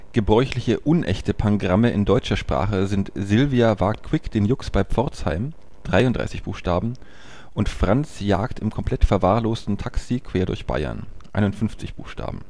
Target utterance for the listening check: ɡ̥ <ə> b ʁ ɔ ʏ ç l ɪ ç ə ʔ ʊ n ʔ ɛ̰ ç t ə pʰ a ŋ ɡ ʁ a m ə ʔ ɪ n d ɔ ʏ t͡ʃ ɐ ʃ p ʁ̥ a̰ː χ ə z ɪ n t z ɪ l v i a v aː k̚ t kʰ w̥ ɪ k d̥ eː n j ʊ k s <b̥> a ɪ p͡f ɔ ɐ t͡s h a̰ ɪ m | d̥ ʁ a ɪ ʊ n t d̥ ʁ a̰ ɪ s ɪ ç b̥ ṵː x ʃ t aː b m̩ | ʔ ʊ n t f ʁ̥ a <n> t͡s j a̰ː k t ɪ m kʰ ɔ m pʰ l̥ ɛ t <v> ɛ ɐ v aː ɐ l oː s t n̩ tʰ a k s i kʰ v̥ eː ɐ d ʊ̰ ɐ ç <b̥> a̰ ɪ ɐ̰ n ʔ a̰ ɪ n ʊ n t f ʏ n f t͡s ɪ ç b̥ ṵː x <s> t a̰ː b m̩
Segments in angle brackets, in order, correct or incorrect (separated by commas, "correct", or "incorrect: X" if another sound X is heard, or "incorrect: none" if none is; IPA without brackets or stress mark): correct, correct, correct, incorrect: f, correct, incorrect: ʃ